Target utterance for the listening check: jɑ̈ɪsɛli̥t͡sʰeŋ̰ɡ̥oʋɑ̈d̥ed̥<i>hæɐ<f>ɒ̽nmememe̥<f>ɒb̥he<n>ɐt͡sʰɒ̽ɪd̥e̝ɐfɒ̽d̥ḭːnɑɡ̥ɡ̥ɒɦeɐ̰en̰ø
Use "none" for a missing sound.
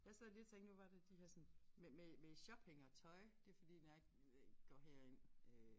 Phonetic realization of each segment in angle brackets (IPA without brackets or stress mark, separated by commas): i, s, ɕ, ŋ